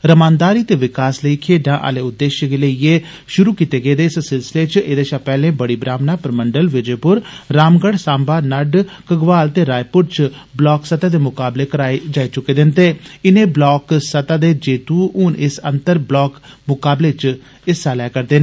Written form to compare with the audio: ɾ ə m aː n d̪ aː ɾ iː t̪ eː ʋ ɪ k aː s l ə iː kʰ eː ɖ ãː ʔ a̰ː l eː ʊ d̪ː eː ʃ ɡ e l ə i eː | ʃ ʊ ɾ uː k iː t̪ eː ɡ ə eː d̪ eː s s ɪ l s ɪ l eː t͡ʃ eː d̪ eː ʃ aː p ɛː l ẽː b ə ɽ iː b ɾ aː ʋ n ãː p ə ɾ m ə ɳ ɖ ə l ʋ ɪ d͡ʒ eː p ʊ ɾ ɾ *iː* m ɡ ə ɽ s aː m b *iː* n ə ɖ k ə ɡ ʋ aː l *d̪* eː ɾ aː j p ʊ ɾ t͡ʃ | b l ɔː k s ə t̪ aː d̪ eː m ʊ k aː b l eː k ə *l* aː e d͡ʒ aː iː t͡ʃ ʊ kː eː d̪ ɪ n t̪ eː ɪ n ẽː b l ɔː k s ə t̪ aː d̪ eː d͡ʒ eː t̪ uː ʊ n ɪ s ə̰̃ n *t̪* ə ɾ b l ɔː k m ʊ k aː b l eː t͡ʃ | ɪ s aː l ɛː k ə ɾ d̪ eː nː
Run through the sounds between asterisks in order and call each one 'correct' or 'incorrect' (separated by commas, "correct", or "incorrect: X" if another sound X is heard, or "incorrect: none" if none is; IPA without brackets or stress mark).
incorrect: aː, incorrect: aː, incorrect: t̪, incorrect: ɾ, correct